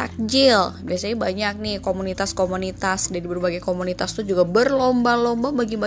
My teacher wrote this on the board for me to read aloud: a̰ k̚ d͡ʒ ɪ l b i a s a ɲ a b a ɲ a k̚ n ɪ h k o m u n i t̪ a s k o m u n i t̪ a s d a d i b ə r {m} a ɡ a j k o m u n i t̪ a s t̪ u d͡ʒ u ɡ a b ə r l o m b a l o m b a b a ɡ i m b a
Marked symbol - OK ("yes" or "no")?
no